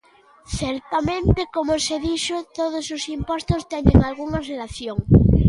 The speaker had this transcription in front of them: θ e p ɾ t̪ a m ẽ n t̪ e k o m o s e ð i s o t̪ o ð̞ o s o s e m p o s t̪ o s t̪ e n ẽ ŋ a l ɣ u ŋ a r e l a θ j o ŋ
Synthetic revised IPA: θ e ɾ t̪ a m ẽ n t̪ e k o m o s e ð i ʃ o t̪ o ð̞ o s o s i m p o s t̪ o s t̪ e n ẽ ŋ a l ɣ u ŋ a r e l a θ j o ŋ

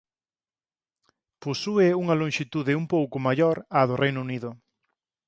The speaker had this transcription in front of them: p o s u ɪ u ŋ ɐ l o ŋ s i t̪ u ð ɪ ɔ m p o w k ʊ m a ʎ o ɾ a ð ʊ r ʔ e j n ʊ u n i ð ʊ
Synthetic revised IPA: p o s u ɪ u ŋ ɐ l o ŋ ʃ i t̪ u ð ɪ u m p o w k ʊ m a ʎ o ɾ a ð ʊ r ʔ e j n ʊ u n i ð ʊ

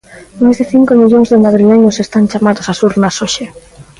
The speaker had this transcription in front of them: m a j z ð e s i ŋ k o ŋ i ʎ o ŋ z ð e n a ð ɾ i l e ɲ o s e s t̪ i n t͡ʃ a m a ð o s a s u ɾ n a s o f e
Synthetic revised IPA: m a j z ð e θ i ŋ k o m i ʎ o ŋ z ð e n a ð ɾ i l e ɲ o s e s t̪ a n t͡ʃ a m a ð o s a s u ɾ n a s o ʃ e

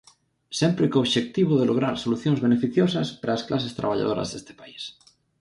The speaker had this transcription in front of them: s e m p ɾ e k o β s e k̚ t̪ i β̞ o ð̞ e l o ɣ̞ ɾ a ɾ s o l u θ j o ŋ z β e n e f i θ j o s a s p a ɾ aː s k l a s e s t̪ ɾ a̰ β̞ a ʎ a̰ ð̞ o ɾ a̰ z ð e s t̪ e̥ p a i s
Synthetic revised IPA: s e m p ɾ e k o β ʃ e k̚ t̪ i β̞ o ð̞ e l o ɣ̞ ɾ a ɾ s o l u θ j o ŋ z β e n e f i θ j o s a s p a ɾ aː s k l a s e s t̪ ɾ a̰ β̞ a ʎ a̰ ð̞ o ɾ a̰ z ð e s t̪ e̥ p a i s

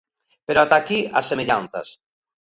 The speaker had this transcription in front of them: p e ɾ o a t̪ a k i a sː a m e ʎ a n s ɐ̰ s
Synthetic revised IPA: p e ɾ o a t̪ a k i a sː e m e ʎ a n θ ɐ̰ s

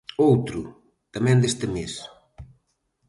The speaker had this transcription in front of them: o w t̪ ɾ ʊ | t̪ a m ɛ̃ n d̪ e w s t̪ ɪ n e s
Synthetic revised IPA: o w t̪ ɾ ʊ | t̪ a m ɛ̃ n d̪ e s t̪ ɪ m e s

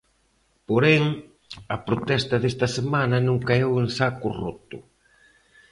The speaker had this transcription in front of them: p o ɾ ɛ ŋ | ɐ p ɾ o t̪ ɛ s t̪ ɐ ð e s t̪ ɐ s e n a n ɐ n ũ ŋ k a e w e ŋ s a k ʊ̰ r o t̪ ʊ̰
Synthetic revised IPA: p o ɾ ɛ ŋ | ɐ p ɾ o t̪ ɛ s t̪ ɐ ð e s t̪ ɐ s e m a n ɐ n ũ ŋ k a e w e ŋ s a k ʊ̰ r o t̪ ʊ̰

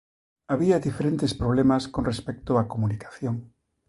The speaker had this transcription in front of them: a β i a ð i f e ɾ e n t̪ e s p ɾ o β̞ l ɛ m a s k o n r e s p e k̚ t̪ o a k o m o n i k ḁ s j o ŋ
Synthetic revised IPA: a β i a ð i f e ɾ e n t̪ e s p ɾ o β̞ l e m a s k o n r e s p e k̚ t̪ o a k o m u n i k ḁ θ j o ŋ

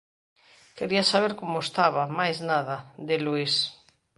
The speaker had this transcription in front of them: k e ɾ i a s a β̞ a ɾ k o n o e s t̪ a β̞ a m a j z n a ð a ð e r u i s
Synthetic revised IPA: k e ɾ i a s a β̞ e ɾ k o m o e s t̪ a β̞ a m a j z n a ð a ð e l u i s

